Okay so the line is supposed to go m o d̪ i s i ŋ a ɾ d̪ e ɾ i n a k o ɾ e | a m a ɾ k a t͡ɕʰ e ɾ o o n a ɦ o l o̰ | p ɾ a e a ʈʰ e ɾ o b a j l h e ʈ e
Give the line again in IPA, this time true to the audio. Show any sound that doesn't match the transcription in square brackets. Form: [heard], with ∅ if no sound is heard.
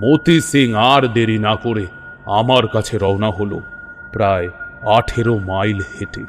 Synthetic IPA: m o [t̪] i s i ŋ a ɾ d̪ e ɾ i n a k o ɾ e | a m a ɾ k a t͡ɕʰ e ɾ [ɔ] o n a ɦ o l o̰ | p ɾ a e a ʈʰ e ɾ o [m] a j l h e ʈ e